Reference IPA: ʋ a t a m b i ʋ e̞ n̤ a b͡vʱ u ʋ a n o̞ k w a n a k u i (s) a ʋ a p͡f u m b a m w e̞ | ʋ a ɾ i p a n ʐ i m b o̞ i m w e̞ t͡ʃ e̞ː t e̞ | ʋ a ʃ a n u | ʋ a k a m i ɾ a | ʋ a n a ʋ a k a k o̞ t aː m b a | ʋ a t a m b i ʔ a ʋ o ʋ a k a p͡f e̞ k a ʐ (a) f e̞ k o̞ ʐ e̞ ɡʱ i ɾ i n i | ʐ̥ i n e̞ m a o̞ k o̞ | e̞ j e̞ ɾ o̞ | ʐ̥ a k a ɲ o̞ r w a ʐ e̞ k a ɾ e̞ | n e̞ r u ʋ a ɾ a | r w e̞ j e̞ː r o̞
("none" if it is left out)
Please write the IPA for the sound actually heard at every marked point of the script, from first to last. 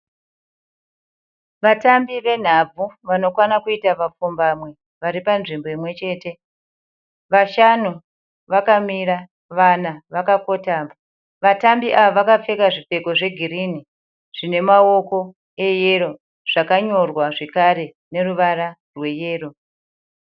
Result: t, i

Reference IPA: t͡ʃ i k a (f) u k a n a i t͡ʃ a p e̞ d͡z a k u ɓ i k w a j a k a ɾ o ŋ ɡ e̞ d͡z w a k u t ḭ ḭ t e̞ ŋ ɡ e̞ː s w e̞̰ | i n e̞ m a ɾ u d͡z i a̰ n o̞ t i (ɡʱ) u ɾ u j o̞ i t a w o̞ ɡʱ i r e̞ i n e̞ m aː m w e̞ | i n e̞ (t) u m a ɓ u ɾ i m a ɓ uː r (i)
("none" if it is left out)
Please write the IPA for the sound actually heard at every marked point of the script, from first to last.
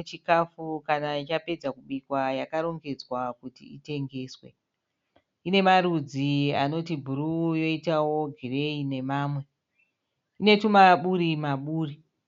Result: f, bʱ, t, i

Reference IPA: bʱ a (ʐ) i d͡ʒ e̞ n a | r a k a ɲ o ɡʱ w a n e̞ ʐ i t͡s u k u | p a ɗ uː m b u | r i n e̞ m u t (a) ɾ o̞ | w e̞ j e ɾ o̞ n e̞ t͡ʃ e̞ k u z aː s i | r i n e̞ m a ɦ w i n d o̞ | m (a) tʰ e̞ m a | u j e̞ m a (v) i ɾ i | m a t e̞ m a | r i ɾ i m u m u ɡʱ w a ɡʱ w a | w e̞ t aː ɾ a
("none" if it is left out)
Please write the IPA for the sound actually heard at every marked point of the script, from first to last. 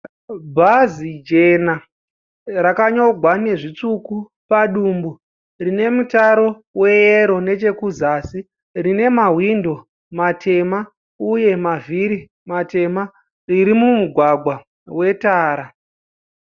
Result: z, a, a, v

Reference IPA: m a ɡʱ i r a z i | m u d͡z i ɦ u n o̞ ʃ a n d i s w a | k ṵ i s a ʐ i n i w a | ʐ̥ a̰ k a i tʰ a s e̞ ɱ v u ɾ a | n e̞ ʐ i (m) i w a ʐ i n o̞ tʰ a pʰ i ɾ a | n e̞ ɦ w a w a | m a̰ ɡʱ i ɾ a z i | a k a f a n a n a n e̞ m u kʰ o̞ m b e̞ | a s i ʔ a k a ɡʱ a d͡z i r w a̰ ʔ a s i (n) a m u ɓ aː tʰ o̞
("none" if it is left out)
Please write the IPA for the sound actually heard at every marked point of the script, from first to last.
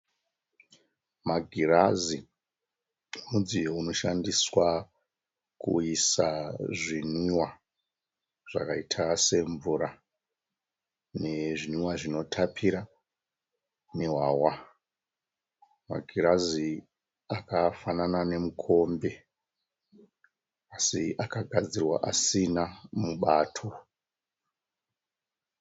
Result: n, n

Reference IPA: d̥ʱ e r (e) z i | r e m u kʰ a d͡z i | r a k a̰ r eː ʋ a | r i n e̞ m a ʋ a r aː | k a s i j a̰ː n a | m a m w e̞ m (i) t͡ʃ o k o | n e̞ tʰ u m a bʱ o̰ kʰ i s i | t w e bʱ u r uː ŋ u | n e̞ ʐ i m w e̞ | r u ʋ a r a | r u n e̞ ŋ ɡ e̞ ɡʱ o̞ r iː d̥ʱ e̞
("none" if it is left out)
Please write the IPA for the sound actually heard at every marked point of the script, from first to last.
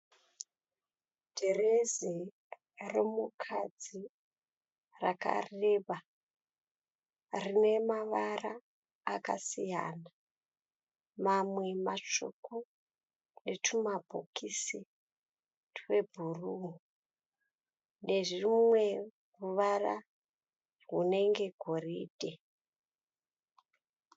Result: e, a

